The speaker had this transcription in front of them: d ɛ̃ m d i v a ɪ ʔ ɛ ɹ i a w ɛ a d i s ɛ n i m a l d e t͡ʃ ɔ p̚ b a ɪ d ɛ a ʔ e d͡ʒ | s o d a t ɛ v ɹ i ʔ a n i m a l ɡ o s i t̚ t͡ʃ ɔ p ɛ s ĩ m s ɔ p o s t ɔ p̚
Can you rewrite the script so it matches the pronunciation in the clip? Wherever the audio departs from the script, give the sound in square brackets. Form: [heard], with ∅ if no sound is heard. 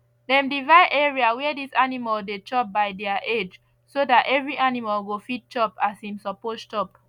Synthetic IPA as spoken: d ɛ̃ m d i v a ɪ ʔ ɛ ɹ i a w ɛ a d i s [a] n i m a l d e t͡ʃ ɔ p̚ b a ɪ d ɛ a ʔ e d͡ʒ | s o d a t ɛ v ɹ i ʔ a n i m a l ɡ o [f] i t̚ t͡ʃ ɔ p [a] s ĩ m s ɔ p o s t ɔ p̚

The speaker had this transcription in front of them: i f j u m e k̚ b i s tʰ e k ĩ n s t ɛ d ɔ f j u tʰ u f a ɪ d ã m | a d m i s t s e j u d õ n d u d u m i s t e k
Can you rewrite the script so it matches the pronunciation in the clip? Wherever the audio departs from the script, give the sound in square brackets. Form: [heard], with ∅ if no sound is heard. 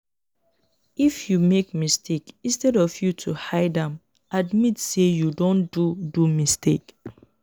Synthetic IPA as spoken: i f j u m e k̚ [m] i s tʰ e k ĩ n s t ɛ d ɔ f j u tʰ u [h] a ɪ d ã m | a d m i [∅] t s e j u d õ n d u d u m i s t e k

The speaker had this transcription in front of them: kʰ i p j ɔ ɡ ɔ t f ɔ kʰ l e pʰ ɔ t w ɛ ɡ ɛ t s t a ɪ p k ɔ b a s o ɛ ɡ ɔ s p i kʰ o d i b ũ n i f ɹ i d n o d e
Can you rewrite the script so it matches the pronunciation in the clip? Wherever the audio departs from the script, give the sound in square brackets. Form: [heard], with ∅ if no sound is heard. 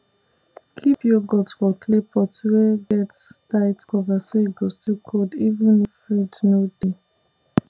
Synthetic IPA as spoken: kʰ i p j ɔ ɡ ɔ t f ɔ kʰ l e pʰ ɔ t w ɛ ɡ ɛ t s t a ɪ [t] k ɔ [v] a s o [i] ɡ ɔ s [t] i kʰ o d i [v] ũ n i f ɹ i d n o d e

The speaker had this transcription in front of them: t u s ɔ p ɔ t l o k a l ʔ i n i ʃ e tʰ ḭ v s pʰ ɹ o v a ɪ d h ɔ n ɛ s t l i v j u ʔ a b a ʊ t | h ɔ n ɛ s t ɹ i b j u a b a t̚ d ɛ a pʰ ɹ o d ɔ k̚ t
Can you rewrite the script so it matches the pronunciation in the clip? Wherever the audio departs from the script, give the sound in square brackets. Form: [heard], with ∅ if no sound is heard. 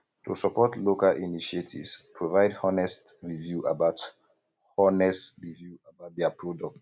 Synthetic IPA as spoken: t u s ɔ p ɔ t l o k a l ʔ i n i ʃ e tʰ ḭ v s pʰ ɹ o v a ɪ d h ɔ n ɛ s t [ɹ] i v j u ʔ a b a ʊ t | h ɔ n ɛ s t ɹ i [v] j u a b a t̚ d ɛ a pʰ ɹ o d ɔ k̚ t

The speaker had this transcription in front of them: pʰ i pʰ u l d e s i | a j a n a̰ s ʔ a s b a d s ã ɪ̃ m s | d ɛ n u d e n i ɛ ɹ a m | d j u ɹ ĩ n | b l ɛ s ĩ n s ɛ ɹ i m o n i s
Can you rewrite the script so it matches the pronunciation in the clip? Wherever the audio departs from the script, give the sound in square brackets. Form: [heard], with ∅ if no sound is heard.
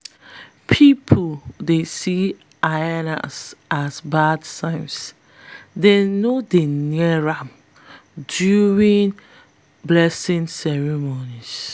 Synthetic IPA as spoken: pʰ i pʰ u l d e s i | a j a n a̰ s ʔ a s b a d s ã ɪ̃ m s | d [e] n [o] d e n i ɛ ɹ a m | d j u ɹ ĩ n | b l ɛ s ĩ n s ɛ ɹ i m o n i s

